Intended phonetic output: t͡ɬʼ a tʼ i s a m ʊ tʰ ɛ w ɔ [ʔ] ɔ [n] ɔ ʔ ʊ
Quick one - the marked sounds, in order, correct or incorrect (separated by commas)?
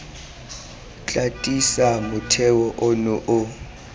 correct, correct